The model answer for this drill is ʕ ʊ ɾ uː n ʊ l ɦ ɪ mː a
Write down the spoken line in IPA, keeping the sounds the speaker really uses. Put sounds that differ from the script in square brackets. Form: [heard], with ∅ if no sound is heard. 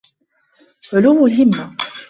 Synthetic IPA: ʕ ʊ [l] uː [m] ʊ l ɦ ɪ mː a

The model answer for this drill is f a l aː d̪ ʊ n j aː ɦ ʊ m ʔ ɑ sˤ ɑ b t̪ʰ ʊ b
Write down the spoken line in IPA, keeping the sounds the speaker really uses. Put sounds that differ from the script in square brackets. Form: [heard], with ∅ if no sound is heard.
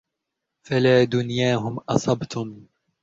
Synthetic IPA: f a l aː d̪ ʊ n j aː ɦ ʊ m ʔ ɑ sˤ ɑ b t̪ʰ ʊ [m]

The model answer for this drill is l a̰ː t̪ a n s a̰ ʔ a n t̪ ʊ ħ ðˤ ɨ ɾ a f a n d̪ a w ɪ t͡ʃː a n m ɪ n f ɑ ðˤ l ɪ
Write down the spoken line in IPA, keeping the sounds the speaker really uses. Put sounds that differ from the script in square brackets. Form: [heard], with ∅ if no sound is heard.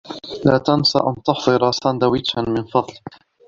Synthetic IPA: l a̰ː t̪ a n s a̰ ʔ a n t̪ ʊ ħ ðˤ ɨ ɾ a [s] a n d̪ a w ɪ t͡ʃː a n m ɪ n f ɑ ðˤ l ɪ

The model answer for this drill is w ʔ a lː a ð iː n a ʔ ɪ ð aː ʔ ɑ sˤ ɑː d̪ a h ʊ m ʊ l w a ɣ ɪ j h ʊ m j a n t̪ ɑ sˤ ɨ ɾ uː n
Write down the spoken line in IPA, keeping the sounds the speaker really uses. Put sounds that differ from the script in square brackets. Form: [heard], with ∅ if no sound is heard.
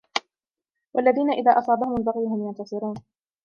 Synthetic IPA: w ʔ a lː a ð iː n a ʔ ɪ ð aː ʔ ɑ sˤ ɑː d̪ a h ʊ m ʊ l [b] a ɣ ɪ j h ʊ m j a n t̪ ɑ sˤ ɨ ɾ uː n

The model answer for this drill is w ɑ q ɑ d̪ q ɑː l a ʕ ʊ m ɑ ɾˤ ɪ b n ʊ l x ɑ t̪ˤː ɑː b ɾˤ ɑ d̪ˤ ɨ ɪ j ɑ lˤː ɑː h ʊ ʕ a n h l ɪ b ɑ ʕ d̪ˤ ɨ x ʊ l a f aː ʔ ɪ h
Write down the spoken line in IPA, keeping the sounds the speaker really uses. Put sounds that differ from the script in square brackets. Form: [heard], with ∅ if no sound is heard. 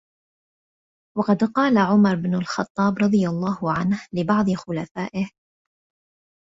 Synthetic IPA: w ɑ q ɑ d̪ q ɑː l a ʕ ʊ m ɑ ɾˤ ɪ b n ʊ l x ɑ t̪ˤː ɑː b ɾˤ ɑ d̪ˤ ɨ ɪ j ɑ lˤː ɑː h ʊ ʕ a n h l ɪ b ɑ ʕ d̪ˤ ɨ x ʊ l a f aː ʔ ɪ h

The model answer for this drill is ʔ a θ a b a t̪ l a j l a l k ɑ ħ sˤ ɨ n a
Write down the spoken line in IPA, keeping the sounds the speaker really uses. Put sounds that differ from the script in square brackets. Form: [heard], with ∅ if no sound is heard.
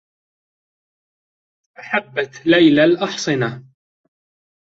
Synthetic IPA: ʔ a [ħ] a [bː] a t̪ l a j l a l [ʔ] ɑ ħ sˤ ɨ n a

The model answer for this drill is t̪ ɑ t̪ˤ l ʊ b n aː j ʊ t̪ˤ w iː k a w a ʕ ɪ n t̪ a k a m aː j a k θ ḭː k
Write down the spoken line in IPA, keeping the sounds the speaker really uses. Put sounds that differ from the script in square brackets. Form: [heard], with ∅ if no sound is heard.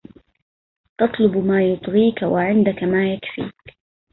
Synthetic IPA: t̪ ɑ t̪ˤ l ʊ b [m] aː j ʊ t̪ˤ [ɣ] iː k a w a ʕ ɪ n [d̪] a k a m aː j a k [f] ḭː k

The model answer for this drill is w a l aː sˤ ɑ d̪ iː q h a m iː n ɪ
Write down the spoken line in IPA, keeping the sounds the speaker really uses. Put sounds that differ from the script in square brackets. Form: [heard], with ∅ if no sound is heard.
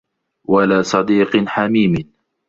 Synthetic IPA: w a l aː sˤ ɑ d̪ iː q [ħ] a m iː [m] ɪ

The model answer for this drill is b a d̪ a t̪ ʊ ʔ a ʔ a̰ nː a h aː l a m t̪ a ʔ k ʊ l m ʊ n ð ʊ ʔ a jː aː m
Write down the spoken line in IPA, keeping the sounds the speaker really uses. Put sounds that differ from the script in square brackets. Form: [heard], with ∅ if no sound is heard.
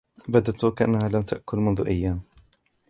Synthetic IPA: b a d̪ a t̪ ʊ [k] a ʔ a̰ nː a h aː l a m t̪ a ʔ k ʊ l m ʊ n ð ʊ ʔ a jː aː m

